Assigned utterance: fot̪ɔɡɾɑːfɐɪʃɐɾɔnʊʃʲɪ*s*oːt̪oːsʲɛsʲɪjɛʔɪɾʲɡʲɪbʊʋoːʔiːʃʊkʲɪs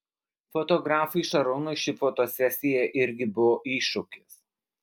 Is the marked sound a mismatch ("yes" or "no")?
yes